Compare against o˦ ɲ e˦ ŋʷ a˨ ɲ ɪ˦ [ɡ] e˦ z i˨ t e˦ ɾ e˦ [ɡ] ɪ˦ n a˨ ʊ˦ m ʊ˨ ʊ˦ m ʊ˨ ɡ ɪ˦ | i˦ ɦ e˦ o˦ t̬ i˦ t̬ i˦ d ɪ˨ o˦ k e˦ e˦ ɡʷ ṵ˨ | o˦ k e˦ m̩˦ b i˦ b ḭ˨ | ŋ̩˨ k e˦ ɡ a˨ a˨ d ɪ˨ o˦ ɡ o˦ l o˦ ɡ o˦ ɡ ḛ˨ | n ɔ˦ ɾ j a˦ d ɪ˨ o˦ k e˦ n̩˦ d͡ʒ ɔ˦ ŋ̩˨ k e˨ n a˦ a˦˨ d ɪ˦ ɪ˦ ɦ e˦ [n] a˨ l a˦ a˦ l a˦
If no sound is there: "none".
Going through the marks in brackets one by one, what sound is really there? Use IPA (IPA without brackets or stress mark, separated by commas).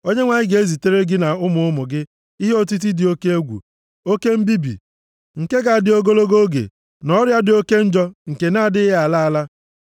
ɡ, ɡ, none